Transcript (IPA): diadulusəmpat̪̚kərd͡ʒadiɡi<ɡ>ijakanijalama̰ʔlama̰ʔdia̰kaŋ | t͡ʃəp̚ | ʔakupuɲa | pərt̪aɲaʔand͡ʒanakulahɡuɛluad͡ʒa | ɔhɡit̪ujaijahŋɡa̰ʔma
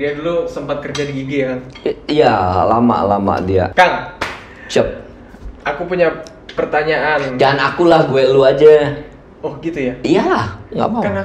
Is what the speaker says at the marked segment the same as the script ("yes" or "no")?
yes